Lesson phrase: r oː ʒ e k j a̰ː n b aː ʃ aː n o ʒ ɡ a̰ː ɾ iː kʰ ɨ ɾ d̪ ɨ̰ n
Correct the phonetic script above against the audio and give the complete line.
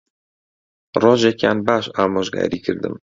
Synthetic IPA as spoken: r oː ʒ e k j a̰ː n b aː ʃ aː m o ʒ ɡ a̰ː ɾ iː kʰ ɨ ɾ d̪ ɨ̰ m